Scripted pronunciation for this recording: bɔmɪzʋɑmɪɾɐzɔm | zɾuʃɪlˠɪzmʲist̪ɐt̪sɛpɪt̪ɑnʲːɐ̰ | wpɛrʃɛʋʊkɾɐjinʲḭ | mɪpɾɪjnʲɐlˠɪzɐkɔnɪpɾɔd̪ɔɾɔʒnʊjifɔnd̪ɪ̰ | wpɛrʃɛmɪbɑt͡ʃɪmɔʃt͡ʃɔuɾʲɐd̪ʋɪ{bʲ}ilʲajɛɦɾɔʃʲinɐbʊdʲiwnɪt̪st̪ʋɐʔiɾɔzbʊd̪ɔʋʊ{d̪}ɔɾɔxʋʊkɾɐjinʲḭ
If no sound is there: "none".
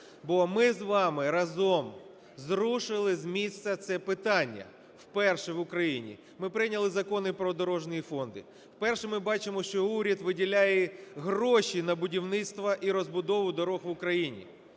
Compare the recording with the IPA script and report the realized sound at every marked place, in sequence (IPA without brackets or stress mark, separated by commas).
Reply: dʲ, d̪